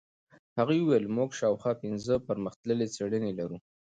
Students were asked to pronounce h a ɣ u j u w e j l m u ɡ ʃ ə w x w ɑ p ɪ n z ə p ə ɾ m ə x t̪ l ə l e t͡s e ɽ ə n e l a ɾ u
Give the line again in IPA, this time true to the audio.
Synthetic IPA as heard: h a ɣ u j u w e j l m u ɡ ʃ ɑ w x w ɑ p ɪ n z ə p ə ɾ m ə x t̪ l ə l e t͡s e ɽ ə n e l a ɾ u